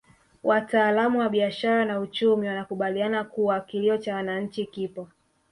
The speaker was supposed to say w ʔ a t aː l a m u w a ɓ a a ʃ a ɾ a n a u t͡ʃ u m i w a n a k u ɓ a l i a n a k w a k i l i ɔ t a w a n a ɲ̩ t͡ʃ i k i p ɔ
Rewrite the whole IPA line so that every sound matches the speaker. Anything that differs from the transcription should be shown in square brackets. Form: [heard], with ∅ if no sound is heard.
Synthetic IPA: w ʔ a t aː l a m u w a ɓ [i] a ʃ a ɾ a n a u t͡ʃ u m i w a n a k u ɓ a l i a n a k [u] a k i l i ɔ [t͡ʃ] a w a n a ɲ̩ t͡ʃ i k i p ɔ